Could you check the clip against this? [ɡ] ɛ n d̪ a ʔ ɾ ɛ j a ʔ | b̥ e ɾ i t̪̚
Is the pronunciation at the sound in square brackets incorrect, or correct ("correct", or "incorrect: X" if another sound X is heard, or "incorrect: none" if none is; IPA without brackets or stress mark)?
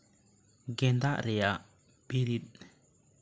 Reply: correct